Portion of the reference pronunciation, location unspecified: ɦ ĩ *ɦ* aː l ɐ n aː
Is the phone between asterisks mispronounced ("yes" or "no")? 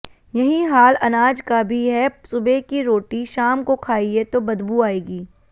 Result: no